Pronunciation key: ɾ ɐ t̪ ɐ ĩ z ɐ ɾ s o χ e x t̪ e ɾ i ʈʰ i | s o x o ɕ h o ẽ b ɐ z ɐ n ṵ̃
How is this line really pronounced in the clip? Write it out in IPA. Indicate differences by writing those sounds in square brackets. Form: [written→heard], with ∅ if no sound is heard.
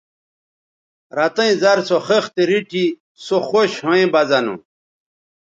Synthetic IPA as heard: ɾ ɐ t̪ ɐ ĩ z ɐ ɾ s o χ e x t̪ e ɾ i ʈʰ i | s o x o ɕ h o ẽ b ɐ z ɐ n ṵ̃

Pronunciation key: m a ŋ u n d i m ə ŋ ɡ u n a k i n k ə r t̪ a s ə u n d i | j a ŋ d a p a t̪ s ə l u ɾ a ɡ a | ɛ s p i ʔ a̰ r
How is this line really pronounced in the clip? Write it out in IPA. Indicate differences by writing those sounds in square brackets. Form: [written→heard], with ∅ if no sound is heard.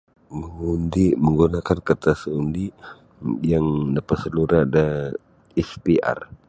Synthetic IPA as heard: m [a→ə] ŋ u n d i m ə ŋ ɡ u n a k [i→a] n k ə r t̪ a s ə u n d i | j a ŋ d a p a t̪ s ə l u ɾ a [ɡ→d] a | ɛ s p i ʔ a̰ r

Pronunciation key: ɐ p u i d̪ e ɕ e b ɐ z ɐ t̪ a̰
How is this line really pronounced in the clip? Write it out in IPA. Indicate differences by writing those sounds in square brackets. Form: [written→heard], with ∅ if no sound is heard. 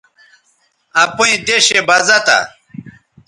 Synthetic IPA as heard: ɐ p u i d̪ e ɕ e b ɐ z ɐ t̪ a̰

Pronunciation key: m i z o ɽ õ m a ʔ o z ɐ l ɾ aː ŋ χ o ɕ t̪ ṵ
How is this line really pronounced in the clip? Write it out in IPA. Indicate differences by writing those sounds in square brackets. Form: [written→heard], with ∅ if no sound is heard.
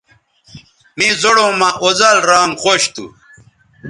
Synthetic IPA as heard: m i z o ɽ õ m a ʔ o z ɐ l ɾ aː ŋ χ o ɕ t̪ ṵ

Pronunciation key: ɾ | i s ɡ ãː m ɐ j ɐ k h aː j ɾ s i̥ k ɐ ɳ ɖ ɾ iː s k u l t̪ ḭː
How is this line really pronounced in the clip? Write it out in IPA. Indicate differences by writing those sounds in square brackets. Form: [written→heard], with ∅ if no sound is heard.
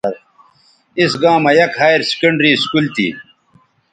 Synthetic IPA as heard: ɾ | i s ɡ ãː m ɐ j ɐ k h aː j ɾ s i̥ k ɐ ɳ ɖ ɾ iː s k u l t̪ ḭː

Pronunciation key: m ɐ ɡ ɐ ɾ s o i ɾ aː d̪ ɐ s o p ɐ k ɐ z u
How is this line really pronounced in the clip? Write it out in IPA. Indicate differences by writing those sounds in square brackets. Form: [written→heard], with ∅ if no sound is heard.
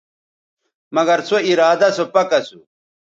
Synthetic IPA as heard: m ɐ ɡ ɐ ɾ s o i ɾ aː d̪ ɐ s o p ɐ k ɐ [z→s] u

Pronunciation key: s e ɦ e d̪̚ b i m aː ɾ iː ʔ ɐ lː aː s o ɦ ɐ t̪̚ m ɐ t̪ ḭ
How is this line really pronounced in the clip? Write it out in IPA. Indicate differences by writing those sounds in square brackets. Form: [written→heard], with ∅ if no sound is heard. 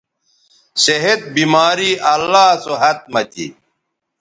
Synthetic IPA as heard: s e ɦ e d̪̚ b i m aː ɾ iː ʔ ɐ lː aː s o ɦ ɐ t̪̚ m ɐ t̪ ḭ

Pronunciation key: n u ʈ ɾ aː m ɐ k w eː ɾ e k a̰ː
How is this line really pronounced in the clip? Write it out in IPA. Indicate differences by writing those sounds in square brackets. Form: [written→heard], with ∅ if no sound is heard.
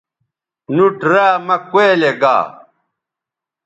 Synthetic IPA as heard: n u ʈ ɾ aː m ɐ k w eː [ɾ→l] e [k→ɡ] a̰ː

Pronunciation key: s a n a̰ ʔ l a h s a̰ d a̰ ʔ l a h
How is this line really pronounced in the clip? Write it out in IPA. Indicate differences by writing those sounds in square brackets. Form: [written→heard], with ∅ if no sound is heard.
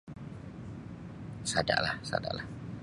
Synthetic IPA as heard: s a [n→d] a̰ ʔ l a h s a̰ d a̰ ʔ l a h

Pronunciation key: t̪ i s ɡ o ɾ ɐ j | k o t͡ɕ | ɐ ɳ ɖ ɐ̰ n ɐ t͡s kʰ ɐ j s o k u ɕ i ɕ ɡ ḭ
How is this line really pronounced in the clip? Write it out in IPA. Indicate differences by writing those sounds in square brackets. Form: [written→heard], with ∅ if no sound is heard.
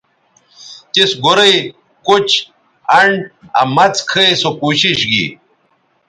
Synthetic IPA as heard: t̪ i s ɡ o ɾ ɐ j | k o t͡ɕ | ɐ ɳ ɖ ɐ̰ [n→m] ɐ t͡s kʰ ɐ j s o k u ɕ i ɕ ɡ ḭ

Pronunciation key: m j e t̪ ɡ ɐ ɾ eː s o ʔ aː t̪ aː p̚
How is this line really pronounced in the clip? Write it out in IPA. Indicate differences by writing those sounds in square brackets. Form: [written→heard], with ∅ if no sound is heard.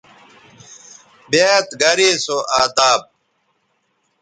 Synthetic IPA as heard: [m→b] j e t̪ ɡ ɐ ɾ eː s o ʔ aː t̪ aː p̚

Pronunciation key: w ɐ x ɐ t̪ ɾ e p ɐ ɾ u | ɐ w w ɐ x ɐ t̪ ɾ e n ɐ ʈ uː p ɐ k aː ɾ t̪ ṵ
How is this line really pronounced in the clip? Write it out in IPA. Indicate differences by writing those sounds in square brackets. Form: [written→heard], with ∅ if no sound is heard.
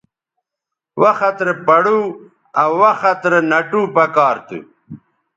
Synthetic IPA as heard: w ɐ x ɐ t̪ ɾ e p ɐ [ɾ→ɽ] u | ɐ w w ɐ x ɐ t̪ ɾ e n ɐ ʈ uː p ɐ k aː ɾ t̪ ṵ

